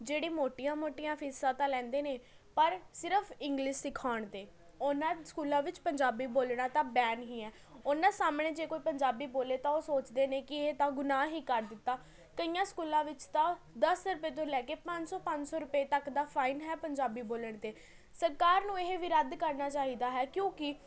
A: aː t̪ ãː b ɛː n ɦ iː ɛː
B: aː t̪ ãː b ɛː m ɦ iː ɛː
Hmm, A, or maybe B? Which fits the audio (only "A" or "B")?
A